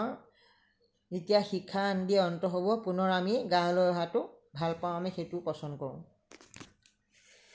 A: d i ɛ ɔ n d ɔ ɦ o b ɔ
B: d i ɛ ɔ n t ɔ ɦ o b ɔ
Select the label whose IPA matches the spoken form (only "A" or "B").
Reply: B